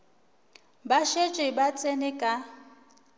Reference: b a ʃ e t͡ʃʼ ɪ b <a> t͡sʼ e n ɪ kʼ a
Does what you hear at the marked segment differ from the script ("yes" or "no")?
no